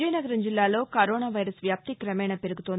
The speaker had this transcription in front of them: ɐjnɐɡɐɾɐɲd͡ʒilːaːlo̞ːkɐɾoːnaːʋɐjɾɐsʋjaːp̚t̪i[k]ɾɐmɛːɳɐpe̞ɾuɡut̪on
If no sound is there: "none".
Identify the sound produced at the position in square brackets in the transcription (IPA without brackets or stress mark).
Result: k